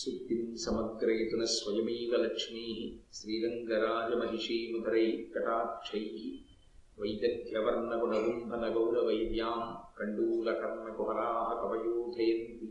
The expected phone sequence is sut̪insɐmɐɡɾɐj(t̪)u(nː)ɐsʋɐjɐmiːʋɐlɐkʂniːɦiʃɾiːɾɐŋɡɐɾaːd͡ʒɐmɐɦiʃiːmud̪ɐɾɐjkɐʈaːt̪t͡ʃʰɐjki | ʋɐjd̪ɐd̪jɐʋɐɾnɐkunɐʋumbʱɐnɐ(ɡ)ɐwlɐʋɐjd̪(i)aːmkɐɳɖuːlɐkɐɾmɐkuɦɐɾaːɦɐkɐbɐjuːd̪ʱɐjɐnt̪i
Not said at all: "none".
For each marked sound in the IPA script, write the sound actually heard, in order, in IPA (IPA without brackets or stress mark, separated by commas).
t̪, n, ɡ, j